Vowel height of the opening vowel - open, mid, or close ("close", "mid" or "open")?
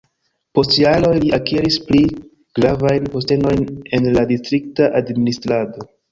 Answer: mid